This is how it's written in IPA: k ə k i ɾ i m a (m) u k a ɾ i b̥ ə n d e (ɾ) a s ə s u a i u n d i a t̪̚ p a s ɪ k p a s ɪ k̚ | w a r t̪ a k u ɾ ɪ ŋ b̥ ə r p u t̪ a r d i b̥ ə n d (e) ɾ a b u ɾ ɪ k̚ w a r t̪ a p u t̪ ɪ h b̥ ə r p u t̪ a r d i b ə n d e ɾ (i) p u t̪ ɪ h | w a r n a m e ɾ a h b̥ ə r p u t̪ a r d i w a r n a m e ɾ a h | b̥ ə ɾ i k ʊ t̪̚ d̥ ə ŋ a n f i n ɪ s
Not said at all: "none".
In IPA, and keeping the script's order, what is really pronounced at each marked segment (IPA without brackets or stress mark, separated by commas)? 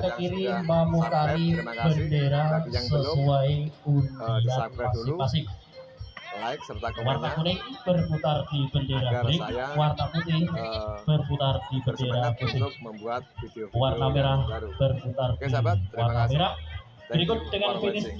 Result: m, ɾ, e, a